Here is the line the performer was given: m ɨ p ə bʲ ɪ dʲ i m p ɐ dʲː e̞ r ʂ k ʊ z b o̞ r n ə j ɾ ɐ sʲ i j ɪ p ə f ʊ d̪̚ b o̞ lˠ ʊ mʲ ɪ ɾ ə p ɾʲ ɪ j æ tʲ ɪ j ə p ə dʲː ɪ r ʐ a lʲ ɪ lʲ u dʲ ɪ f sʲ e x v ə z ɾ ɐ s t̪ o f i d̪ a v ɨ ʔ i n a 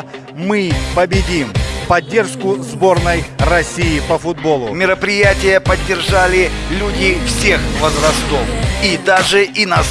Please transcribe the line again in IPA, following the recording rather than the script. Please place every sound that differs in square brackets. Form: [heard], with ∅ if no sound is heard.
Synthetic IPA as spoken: m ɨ p ə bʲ ɪ dʲ i m p ɐ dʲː e̞ r ʂ k ʊ z b o̞ r n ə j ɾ ɐ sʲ i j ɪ p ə f ʊ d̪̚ b o̞ lˠ ʊ mʲ ɪ ɾ ə p ɾʲ ɪ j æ tʲ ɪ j ə p ə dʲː ɪ r ʐ a lʲ ɪ lʲ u dʲ ɪ f sʲ e x v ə z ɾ ɐ s t̪ o f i d̪ a [ʐ] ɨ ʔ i n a